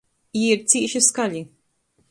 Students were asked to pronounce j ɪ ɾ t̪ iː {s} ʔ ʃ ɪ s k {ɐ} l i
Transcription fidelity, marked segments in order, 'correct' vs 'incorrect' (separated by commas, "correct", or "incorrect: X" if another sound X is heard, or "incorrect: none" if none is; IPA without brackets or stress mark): incorrect: none, correct